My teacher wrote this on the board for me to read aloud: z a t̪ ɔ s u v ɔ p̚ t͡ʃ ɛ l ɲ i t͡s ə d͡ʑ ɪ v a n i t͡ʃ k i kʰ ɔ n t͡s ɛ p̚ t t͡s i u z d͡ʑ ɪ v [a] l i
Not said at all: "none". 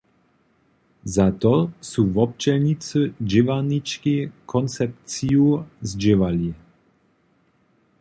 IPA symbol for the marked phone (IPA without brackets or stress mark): a